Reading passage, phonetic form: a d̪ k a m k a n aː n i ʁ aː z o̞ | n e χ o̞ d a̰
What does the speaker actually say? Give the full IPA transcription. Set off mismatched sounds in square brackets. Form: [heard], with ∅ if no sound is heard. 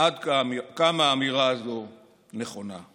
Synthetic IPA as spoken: a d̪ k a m k a [m] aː [m] i ʁ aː z o̞ | n e χ o̞ [n] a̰